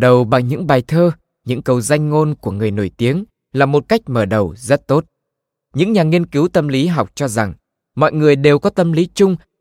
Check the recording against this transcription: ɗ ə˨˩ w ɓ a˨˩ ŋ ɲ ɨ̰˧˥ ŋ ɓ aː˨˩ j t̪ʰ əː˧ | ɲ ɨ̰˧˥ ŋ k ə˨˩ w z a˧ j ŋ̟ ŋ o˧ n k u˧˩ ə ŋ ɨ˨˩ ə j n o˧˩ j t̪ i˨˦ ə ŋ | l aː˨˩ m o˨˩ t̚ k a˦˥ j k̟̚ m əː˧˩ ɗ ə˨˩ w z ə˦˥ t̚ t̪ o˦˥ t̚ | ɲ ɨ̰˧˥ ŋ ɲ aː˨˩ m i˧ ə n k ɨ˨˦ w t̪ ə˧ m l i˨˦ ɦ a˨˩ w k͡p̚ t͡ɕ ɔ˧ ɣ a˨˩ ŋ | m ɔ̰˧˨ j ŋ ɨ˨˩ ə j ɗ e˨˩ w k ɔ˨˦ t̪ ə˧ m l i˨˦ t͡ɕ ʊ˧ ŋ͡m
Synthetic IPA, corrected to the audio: ɗ ə˨˩ w ɓ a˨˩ ŋ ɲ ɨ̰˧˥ ŋ ɓ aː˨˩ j t̪ʰ əː˧ | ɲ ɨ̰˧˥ ŋ k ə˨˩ w z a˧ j ŋ̟ ŋ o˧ n k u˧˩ ə ŋ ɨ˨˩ ə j n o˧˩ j t̪ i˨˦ ə ŋ | l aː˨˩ m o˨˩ t̚ k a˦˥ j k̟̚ m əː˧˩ ɗ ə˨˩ w z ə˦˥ t̚ t̪ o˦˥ t̚ | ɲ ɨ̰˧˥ ŋ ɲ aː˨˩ ŋ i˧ ə n k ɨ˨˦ w t̪ ə˧ m l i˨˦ ɦ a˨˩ w k͡p̚ t͡ɕ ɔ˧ z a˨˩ ŋ | m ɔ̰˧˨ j ŋ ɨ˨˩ ə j ɗ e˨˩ w k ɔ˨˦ t̪ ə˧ m l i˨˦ t͡ɕ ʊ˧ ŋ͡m